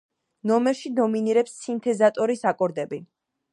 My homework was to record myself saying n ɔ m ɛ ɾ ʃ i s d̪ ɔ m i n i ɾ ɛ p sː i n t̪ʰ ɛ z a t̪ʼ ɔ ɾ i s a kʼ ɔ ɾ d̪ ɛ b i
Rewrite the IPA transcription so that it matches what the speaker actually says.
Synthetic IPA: n ɔ m ɛ ɾ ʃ i d̪ ɔ m i n i ɾ ɛ p sː i n t̪ʰ ɛ z a t̪ʼ ɔ ɾ i s a kʼ ɔ ɾ d̪ ɛ b i